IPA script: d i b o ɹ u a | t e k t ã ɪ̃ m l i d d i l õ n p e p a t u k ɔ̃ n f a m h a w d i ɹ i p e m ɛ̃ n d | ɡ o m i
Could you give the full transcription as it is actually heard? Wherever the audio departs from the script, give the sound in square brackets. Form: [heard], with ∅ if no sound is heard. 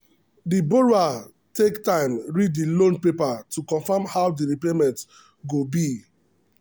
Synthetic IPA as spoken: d i b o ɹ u a | t e k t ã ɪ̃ m [ɹ] i d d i l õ n p e p a t u k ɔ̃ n f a m h a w d i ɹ i p e m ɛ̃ n [t] | ɡ o [b] i